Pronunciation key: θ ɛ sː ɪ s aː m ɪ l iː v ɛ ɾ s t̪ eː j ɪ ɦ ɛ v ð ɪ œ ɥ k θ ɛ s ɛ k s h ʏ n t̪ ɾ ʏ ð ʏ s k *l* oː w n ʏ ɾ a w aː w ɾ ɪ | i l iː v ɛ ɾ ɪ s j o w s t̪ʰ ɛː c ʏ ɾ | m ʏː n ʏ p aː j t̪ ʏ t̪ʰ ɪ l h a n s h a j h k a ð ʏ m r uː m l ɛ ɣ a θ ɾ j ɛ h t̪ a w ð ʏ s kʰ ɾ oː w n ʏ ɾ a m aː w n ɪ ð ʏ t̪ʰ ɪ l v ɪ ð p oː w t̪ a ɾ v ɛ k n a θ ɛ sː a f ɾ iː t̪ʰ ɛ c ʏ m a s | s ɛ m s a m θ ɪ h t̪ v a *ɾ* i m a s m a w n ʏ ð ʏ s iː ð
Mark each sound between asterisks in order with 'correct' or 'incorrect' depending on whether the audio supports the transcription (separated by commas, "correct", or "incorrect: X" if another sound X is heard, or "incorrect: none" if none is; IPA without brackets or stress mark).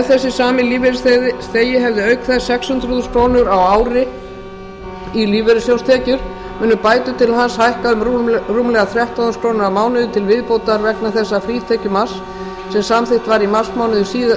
incorrect: ɾ, correct